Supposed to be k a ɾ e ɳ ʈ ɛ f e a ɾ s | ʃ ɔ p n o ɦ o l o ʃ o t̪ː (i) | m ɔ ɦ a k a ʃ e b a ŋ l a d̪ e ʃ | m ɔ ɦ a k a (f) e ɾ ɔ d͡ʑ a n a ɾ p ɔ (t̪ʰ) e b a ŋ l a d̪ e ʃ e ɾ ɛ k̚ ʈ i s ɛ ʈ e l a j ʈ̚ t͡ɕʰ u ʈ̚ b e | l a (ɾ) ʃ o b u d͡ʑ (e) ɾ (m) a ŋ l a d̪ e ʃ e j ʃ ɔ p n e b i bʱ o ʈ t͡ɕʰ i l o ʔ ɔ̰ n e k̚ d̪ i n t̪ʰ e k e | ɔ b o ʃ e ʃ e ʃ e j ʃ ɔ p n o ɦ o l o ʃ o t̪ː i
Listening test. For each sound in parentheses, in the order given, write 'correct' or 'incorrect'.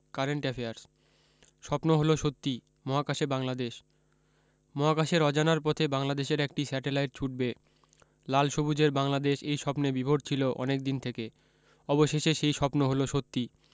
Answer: correct, incorrect, correct, incorrect, correct, incorrect

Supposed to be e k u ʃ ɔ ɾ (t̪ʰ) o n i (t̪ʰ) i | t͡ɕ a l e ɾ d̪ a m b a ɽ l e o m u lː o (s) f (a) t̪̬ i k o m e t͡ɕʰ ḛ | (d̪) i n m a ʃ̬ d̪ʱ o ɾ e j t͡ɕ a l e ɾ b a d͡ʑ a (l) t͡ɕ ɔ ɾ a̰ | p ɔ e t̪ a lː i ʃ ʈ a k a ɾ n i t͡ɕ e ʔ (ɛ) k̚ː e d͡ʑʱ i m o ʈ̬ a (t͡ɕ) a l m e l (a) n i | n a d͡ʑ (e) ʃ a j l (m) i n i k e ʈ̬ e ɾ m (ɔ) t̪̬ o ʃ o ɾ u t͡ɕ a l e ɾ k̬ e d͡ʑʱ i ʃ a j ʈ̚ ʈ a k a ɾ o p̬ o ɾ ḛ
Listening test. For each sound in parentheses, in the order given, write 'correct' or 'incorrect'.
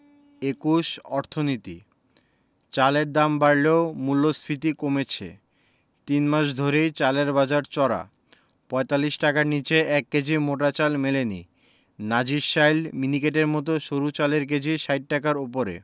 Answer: correct, incorrect, correct, incorrect, incorrect, incorrect, correct, correct, incorrect, incorrect, correct, correct

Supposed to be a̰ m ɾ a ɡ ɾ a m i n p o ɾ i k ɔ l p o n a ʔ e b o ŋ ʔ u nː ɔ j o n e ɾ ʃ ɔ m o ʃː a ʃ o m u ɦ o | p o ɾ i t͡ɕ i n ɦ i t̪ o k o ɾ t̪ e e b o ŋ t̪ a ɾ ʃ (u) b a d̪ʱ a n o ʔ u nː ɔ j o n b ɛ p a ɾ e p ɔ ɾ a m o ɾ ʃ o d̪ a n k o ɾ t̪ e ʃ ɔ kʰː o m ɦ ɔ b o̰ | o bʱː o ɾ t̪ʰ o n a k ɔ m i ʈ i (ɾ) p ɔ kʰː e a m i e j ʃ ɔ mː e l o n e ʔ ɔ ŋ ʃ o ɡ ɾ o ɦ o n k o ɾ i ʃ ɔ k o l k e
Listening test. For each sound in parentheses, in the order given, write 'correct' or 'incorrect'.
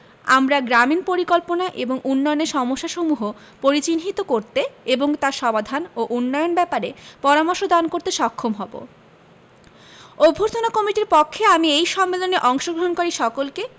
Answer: incorrect, correct

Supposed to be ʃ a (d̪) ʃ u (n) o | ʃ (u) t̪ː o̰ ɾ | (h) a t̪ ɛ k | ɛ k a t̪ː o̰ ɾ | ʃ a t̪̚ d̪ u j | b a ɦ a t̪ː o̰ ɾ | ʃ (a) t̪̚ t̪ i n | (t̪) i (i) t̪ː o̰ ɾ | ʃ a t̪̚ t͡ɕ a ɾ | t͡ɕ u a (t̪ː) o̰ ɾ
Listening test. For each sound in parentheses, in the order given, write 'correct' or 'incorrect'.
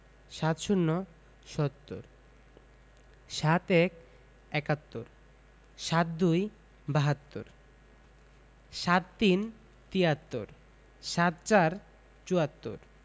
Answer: incorrect, incorrect, incorrect, incorrect, correct, correct, incorrect, correct

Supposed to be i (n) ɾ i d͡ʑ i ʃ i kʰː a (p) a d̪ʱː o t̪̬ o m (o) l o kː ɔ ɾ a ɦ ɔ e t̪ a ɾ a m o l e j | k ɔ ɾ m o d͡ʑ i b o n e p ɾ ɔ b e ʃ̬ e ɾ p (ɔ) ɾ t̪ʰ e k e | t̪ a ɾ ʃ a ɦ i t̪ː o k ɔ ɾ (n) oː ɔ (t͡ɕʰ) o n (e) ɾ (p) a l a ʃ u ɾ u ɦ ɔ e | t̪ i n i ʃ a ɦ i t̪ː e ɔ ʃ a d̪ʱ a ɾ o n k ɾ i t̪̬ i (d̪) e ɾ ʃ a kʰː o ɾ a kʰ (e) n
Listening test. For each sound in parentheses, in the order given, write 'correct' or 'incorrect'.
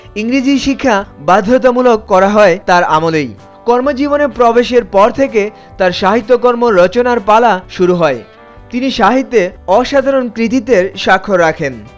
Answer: incorrect, incorrect, incorrect, correct, incorrect, incorrect, incorrect, correct, incorrect, correct

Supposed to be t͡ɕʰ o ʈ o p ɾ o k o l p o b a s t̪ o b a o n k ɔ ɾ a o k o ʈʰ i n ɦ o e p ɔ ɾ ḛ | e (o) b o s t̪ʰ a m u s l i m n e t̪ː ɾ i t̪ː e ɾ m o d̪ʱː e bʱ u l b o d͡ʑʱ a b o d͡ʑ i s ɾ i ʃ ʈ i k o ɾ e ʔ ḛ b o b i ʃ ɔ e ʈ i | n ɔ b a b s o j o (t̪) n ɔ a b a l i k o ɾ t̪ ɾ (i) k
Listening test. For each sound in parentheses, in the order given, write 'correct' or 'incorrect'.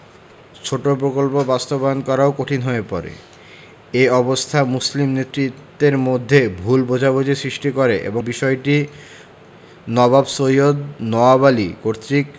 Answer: incorrect, incorrect, correct

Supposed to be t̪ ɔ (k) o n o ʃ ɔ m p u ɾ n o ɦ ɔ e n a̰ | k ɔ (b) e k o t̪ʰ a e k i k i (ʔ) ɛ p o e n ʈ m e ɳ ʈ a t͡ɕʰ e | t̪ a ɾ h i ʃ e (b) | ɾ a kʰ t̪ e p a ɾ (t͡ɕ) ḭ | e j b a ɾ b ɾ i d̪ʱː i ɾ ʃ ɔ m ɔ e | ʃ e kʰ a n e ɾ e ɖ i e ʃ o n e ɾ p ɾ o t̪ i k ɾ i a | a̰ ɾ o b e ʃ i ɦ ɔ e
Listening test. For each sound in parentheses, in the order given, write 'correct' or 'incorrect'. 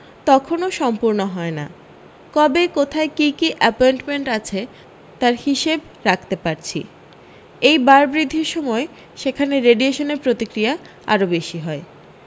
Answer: incorrect, correct, correct, correct, incorrect

